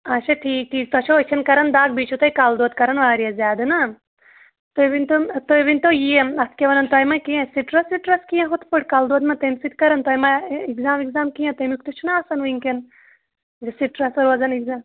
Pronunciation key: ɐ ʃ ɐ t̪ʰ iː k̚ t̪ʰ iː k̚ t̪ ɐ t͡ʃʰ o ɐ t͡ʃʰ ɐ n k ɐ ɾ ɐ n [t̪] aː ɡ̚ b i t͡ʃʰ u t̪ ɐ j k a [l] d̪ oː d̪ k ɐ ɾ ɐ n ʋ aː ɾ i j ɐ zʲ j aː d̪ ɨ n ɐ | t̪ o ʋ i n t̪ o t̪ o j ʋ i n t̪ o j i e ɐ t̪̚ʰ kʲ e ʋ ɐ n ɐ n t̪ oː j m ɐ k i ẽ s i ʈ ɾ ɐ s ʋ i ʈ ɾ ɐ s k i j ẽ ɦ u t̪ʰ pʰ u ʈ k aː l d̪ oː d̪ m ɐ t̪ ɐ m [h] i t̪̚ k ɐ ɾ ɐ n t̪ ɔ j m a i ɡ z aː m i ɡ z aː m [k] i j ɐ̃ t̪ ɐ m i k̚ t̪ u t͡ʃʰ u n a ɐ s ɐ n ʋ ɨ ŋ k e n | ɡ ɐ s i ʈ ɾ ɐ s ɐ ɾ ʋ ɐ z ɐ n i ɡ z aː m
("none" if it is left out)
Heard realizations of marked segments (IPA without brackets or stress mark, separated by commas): d̪, l, s, k